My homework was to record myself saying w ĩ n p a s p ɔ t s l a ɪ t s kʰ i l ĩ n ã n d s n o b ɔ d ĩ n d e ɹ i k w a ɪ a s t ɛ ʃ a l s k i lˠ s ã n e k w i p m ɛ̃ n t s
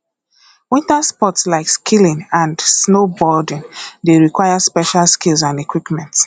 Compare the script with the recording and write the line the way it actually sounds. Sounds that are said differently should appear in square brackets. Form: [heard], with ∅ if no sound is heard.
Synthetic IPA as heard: w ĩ n [t] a s p ɔ t s l a ɪ [k] s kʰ i l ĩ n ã n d s n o b ɔ d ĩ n d e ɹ i k w a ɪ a s [p] ɛ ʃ a l s k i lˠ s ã n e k w i p m ɛ̃ n t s